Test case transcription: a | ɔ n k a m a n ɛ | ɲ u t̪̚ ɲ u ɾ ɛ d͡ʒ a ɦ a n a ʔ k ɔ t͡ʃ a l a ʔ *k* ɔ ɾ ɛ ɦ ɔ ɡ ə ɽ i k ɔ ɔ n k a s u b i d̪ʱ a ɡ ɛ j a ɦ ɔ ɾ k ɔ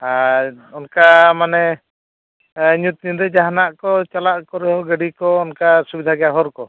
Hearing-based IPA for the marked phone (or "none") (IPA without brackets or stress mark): k